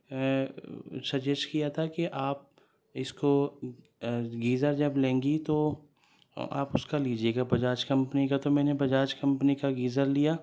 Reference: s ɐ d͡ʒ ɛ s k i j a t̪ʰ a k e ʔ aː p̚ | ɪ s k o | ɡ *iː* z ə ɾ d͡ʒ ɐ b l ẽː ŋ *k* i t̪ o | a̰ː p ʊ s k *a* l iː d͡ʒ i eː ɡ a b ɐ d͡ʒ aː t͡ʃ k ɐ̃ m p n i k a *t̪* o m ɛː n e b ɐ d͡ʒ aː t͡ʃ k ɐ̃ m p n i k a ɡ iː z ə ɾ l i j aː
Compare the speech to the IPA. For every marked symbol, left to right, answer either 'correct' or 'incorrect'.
correct, incorrect: ɡ, correct, correct

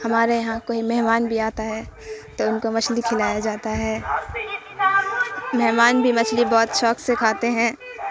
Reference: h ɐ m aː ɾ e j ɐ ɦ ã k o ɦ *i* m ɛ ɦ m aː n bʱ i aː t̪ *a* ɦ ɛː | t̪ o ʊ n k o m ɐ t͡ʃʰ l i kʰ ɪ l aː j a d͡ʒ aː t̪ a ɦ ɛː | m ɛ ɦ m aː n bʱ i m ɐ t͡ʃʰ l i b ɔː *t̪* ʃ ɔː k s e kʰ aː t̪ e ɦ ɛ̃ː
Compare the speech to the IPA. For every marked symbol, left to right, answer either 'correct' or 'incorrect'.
correct, correct, correct

